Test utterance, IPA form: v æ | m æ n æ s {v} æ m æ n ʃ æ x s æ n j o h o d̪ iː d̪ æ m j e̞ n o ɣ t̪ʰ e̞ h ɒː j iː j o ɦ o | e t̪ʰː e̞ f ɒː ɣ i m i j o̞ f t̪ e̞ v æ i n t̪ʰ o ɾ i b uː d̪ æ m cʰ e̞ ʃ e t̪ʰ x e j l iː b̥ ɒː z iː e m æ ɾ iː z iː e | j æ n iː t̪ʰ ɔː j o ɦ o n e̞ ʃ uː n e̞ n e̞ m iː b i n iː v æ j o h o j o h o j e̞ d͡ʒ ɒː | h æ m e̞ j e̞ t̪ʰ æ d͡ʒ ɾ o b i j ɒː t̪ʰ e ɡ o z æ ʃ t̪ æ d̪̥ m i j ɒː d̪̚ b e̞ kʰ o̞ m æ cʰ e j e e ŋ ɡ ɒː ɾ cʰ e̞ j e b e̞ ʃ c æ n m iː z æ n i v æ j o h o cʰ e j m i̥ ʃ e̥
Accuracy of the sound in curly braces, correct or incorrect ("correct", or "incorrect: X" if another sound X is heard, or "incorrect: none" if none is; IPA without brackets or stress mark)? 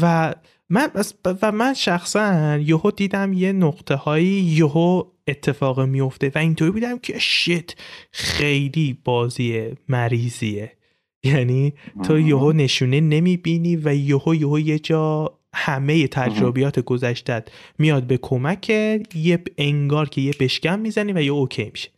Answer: correct